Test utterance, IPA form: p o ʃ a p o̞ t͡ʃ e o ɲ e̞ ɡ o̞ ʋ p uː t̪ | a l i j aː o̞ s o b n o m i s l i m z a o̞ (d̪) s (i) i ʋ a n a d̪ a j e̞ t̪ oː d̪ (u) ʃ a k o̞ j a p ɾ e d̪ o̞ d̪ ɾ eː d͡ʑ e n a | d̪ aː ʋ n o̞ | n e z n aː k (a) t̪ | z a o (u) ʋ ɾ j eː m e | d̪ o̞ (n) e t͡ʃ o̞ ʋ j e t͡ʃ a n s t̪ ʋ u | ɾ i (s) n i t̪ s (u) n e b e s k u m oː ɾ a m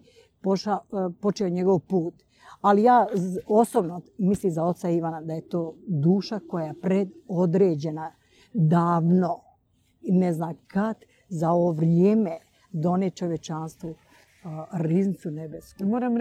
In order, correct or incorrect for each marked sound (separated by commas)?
incorrect, incorrect, incorrect, correct, incorrect, correct, incorrect, correct